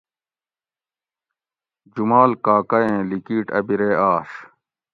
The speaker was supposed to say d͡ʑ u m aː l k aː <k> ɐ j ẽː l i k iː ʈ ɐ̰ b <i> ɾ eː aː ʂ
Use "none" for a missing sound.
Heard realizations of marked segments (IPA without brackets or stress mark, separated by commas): k, i